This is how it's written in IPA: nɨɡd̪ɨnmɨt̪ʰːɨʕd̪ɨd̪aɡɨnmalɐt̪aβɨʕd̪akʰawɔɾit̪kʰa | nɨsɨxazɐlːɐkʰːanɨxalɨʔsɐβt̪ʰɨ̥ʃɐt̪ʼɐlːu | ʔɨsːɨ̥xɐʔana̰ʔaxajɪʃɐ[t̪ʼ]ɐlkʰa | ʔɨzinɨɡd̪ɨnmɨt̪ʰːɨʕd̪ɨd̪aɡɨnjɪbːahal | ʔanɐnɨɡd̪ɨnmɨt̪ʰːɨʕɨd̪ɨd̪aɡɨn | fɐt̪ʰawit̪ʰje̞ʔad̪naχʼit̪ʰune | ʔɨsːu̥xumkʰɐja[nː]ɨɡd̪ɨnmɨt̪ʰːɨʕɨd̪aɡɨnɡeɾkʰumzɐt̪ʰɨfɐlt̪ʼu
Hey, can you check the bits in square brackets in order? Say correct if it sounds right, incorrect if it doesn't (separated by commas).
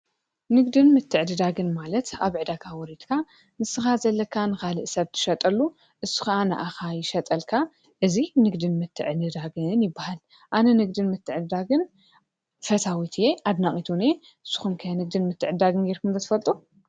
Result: correct, incorrect